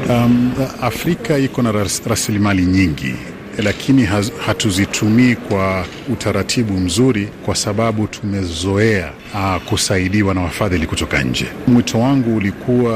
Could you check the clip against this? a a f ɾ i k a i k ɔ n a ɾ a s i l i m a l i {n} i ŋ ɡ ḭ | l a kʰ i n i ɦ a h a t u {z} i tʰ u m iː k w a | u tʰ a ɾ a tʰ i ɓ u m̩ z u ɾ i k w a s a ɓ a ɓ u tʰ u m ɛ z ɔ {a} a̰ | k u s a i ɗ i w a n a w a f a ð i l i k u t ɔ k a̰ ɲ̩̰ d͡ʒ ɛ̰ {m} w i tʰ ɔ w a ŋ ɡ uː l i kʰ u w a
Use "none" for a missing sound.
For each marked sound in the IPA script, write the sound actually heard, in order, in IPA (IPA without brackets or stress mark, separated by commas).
ɲ, z, ɛ, m